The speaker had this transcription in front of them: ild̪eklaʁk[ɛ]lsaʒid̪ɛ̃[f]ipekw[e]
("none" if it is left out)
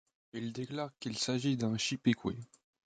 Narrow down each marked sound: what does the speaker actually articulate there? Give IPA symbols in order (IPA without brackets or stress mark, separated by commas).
i, ʃ, e